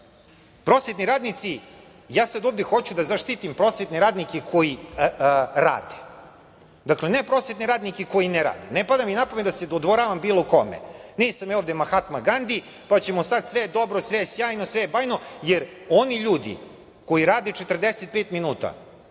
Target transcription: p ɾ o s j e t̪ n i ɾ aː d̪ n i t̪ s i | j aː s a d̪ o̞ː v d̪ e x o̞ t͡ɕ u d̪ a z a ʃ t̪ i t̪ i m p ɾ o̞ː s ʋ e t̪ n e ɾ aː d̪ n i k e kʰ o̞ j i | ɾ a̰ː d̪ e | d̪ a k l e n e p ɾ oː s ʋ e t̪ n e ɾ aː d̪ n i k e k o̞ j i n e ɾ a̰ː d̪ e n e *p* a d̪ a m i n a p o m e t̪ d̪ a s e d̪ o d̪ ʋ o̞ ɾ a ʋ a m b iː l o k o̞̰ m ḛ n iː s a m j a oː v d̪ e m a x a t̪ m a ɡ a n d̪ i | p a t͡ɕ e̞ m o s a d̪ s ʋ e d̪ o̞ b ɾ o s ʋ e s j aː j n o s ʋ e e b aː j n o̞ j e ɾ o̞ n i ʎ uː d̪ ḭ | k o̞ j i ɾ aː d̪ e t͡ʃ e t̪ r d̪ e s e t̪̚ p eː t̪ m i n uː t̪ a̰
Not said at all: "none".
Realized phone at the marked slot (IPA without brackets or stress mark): p